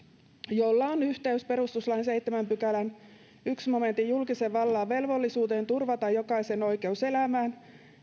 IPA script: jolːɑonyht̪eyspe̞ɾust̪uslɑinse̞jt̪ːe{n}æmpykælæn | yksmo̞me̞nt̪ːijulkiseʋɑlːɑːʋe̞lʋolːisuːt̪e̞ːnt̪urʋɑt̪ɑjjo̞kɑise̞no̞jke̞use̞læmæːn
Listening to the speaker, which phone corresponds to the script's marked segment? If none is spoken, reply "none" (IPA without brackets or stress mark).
m